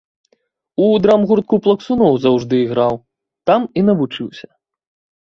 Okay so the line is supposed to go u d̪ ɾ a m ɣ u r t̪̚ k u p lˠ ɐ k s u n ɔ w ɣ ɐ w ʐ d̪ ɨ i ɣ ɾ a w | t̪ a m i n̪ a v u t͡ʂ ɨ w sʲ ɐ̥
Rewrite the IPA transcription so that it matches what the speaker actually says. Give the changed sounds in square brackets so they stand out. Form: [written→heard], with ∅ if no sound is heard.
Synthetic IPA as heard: u d̪ ɾ a m ɣ u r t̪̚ k u p lˠ ɐ k s u n ɔ w [ɣ→z] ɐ w ʐ d̪ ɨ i ɣ ɾ a w | t̪ a m i n̪ [a→ɐ] v u t͡ʂ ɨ w sʲ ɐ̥